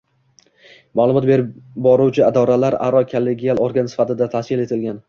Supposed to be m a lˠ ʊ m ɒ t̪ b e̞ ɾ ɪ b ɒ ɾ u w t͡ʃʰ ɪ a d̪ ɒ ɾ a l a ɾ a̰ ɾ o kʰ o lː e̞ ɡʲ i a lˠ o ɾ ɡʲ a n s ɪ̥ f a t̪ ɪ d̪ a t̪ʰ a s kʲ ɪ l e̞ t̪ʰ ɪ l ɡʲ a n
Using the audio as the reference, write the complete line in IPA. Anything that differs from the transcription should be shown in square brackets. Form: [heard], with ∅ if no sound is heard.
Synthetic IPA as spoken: m a lˠ ʊ m ɒ t̪ b e̞ ɾ ɪ b ɒ ɾ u w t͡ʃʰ ɪ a d̪ ɒ ɾ a l a ɾ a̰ ɾ [ɒ] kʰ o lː e̞ ɡʲ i a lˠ o ɾ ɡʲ a n s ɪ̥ f a t̪ ɪ d̪ a t̪ʰ a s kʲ ɪ l e̞ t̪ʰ ɪ l ɡʲ a n